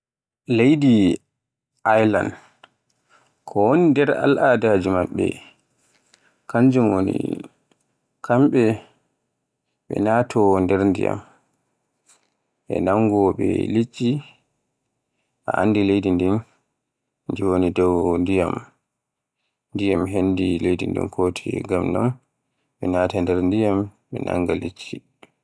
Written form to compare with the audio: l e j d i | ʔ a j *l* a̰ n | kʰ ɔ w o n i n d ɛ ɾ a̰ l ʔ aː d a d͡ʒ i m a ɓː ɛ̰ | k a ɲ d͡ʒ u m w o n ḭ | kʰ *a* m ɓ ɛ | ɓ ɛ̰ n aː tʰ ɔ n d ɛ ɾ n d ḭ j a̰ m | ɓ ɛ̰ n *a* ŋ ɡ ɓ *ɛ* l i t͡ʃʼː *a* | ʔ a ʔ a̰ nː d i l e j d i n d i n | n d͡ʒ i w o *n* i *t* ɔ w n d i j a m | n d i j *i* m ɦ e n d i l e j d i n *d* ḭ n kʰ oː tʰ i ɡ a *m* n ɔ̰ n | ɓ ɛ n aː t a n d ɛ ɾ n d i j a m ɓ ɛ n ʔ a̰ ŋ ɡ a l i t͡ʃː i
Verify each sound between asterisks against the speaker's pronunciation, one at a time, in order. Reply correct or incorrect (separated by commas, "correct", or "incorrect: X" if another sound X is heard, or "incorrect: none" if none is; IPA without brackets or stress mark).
correct, correct, correct, correct, incorrect: i, correct, incorrect: d, incorrect: a, correct, correct